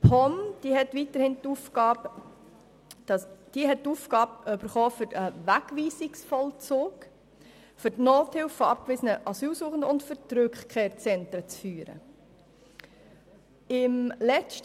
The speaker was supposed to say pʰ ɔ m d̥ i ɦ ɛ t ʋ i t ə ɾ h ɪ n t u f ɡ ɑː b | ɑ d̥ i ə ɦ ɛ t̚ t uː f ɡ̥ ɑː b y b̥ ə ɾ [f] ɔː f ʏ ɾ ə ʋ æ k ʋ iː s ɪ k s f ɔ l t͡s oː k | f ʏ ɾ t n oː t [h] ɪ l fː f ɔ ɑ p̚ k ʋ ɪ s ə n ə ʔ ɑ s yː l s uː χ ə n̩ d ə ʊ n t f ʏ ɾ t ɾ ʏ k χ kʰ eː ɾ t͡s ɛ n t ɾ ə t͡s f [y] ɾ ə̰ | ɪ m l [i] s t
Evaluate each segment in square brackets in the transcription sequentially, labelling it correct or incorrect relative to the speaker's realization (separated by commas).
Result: incorrect, correct, incorrect, incorrect